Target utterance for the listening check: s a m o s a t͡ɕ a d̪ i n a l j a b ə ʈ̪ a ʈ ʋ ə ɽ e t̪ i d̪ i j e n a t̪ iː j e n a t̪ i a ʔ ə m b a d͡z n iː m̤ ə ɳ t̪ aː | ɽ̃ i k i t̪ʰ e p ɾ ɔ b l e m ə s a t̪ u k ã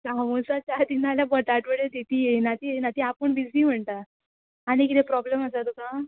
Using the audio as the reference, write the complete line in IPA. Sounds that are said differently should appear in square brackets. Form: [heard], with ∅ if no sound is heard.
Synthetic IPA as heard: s a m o s a t͡ɕ a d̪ i n a l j a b ə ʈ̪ a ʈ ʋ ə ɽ e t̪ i [t̪] i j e n a t̪ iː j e n a t̪ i a [p] ə [ɳ] b [i] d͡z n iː m̤ ə ɳ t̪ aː | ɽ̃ i k i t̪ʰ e p ɾ ɔ b l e m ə s a t̪ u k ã

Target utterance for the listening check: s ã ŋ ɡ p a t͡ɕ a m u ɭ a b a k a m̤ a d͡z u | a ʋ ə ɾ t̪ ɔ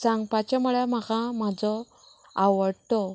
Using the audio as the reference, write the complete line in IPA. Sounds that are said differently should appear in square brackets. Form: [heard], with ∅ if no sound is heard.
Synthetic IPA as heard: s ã ŋ ɡ p a t͡ɕ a m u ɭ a [m] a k a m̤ a d͡z [ɔ] | a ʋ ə [ɽ] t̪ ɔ

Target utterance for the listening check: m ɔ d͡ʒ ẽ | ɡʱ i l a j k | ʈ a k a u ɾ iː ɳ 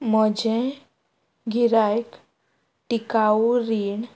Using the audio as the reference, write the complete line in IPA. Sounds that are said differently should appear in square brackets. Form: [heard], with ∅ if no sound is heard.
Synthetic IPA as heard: m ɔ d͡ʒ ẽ | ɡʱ i [ɾ] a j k | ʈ [i] k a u ɾ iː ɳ

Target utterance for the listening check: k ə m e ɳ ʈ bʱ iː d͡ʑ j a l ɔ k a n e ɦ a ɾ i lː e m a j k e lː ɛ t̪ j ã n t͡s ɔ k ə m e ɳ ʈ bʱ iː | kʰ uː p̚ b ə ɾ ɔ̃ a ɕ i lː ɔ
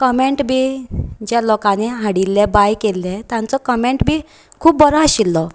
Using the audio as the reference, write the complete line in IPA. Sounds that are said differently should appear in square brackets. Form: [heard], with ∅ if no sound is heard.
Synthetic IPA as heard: k ə m e ɳ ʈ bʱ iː d͡ʑ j a l ɔ k a n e ɦ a [ɽ] i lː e [b] a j k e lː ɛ t̪ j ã n t͡s ɔ k ə m e ɳ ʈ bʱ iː | kʰ uː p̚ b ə ɾ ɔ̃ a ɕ i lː ɔ

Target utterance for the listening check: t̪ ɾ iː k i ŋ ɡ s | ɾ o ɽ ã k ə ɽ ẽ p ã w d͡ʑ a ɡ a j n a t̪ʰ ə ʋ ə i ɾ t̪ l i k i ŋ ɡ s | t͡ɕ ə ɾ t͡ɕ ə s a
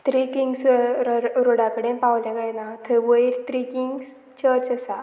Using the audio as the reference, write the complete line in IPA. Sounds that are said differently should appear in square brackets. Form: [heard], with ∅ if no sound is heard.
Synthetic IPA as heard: t̪ ɾ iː k i ŋ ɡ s | ɾ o ɽ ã k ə ɽ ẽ p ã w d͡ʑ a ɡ a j n a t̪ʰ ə ʋ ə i ɾ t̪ [ɾ] i k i ŋ ɡ s | t͡ɕ ə ɾ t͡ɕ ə s a

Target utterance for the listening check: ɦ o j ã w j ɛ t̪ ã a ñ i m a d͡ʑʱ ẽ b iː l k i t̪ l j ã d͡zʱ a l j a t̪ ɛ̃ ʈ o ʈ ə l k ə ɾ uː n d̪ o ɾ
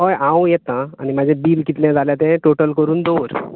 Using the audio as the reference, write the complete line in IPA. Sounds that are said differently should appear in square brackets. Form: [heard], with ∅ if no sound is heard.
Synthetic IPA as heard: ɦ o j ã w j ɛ t̪ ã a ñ i m a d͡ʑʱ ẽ b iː l k i t̪ l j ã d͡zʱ a l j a t̪ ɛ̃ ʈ o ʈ ə l k ə ɾ uː n d̪ o ɾ

